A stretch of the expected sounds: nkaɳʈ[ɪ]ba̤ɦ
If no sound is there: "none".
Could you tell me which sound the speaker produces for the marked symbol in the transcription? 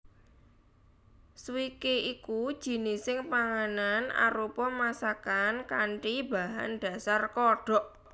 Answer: i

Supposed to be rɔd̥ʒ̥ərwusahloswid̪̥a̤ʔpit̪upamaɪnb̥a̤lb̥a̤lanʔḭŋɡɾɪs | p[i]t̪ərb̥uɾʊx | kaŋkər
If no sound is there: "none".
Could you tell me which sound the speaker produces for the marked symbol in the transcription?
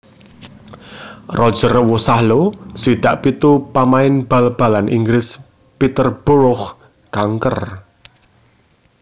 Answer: i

